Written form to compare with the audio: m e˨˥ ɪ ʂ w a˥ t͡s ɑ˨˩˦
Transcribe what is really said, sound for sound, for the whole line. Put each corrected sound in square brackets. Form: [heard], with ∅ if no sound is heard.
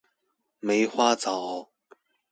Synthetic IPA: m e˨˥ ɪ [x] w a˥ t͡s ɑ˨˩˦

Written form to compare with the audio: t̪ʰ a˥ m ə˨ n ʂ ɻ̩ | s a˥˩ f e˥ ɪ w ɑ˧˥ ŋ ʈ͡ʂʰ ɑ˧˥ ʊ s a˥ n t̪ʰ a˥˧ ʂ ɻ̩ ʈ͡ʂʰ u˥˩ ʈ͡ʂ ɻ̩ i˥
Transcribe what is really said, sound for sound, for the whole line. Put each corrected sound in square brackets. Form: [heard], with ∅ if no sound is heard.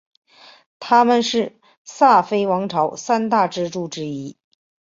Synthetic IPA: t̪ʰ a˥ m ə˨ n ʂ ɻ̩ | s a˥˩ f e˥ ɪ w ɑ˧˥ ŋ ʈ͡ʂʰ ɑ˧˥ ʊ s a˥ n [t̪] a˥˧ [ʈ͡ʂ] ɻ̩ [ʈ͡ʂ] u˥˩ ʈ͡ʂ ɻ̩ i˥

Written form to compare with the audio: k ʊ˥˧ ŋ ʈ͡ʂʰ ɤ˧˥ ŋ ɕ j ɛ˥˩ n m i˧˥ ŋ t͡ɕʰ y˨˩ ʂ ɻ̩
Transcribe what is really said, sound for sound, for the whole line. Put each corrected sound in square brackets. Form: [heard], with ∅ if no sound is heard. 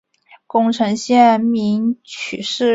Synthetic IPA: k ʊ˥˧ ŋ ʈ͡ʂʰ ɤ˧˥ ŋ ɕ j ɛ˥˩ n m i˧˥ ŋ t͡ɕʰ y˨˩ ʂ ɻ̩

